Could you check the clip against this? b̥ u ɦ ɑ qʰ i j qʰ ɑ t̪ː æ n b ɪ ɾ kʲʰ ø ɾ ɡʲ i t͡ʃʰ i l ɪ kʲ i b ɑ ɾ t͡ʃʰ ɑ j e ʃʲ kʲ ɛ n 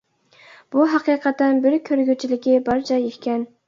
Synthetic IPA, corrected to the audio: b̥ u ɦ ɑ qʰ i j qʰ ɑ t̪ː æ n b ɪ ɾ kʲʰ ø ɾ ɡʲ y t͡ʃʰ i l ɪ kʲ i b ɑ ɾ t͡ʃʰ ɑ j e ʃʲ kʲ ɛ n